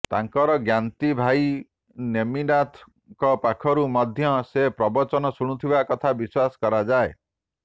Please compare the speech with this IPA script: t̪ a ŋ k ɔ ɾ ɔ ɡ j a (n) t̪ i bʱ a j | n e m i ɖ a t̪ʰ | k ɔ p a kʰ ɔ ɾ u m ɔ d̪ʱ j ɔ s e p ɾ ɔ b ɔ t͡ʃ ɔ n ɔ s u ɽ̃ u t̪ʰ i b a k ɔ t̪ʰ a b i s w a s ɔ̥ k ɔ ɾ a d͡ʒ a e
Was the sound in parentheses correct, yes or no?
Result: yes